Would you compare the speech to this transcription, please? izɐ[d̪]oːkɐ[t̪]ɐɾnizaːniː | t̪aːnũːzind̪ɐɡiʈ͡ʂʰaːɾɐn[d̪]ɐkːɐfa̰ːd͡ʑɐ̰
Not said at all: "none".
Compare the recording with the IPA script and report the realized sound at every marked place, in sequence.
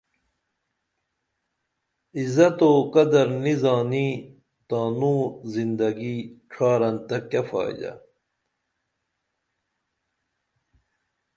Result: t̪, d̪, t̪

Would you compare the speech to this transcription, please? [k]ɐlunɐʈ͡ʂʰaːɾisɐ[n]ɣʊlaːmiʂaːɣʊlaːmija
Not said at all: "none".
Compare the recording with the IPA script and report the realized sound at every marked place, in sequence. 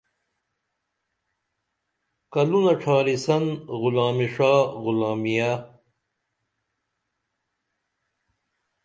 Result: k, n

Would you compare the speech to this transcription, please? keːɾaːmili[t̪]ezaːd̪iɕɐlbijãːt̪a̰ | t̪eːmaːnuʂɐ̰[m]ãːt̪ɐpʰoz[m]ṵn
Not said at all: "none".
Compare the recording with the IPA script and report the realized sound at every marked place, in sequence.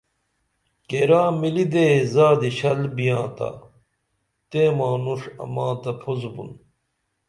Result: d̪, m, b

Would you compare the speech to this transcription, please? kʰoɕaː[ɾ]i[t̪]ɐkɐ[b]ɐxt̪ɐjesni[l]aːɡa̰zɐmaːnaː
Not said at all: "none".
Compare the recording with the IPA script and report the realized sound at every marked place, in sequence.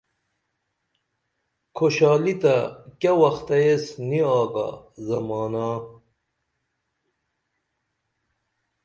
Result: l, t̪, w, none

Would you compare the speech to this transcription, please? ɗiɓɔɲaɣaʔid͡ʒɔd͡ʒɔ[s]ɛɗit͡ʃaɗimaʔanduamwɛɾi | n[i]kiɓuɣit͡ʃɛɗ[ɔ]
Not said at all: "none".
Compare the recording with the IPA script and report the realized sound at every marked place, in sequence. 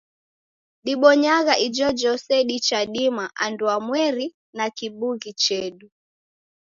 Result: s, a, u

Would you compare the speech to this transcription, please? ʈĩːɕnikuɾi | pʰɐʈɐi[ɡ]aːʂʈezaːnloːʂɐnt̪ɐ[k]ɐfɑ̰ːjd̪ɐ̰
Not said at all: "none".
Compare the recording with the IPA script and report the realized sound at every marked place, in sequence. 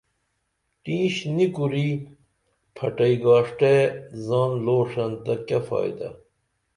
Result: ɡ, k

